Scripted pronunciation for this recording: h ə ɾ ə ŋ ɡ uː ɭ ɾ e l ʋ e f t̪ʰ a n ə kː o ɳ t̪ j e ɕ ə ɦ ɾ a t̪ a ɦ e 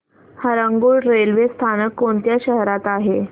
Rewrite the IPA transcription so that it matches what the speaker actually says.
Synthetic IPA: h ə ɾ ə ŋ ɡ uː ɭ ɾ e l ʋ e s t̪ʰ a n ə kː o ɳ t̪ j a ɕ ə ɦ ɾ a t̪ a ɦ e